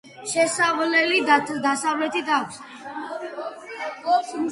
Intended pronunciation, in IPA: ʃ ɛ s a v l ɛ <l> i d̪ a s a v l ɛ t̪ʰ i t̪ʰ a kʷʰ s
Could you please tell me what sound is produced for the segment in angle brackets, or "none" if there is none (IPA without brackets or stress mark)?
l